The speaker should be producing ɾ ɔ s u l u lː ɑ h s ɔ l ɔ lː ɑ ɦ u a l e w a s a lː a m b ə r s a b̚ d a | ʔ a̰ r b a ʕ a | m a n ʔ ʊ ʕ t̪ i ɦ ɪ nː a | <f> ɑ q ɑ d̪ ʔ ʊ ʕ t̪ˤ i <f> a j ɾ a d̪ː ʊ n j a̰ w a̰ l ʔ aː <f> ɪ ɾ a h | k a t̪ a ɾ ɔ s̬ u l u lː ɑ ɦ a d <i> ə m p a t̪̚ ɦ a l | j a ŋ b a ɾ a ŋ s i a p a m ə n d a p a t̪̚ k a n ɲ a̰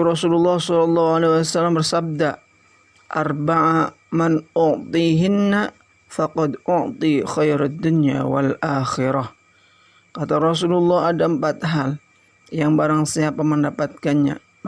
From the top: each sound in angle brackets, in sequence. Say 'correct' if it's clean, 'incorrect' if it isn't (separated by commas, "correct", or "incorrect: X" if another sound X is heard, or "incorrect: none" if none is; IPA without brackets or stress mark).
correct, incorrect: x, incorrect: x, incorrect: a